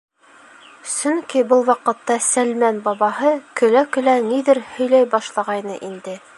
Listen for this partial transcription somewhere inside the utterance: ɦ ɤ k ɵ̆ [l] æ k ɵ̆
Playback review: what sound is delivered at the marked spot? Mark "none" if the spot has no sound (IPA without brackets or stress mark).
l